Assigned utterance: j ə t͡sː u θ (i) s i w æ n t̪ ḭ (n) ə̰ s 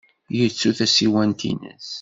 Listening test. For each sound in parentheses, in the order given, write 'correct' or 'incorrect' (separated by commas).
incorrect, correct